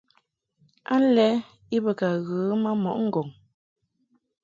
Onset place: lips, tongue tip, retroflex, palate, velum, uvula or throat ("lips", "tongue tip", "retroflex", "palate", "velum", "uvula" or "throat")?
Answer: tongue tip